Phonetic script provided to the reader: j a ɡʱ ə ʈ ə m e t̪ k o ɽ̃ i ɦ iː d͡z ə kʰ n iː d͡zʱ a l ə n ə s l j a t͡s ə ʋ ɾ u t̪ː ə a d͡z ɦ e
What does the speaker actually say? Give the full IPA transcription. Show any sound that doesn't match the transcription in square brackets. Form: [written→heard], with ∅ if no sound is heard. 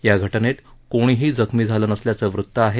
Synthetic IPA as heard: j a ɡʱ ə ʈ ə [m→n] e t̪ k o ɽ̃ i ɦ iː d͡z ə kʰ [n→m] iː d͡zʱ a l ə n ə s l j a t͡s ə ʋ ɾ u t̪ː ə a [d͡z→∅] ɦ e